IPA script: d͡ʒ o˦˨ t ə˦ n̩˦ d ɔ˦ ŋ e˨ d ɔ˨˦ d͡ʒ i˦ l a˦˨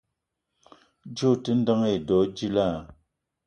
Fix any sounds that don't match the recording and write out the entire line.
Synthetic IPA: d͡ʒ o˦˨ t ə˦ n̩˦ d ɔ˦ ŋ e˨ d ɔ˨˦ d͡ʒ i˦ l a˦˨